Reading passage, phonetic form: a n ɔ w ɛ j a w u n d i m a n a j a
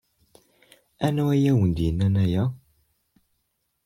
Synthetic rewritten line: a n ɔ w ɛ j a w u n d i n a n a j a